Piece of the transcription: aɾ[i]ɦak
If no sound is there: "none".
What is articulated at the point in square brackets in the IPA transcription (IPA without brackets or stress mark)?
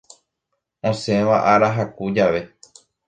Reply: a